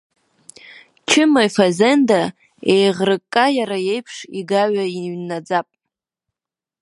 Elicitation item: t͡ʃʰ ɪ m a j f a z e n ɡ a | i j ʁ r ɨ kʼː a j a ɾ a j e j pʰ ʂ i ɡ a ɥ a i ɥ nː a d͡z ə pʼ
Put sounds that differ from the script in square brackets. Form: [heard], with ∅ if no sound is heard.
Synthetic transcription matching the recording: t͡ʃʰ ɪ m a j f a z e n [d] a | [e] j ʁ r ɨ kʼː a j a ɾ a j e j pʰ ʂ i ɡ a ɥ a i ɥ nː a d͡z [a] pʼ